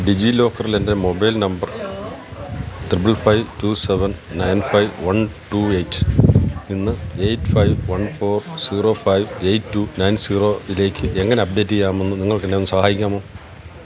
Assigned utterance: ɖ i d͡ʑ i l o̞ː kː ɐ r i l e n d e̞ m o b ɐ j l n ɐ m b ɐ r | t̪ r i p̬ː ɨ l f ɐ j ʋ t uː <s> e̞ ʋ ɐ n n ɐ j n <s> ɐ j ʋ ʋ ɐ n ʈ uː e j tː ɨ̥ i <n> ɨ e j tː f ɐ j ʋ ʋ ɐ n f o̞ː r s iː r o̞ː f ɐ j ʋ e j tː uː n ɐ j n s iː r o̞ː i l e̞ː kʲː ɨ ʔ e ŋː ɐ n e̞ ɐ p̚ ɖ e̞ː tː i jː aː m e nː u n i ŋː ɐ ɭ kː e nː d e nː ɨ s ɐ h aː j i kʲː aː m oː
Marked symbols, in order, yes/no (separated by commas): yes, no, no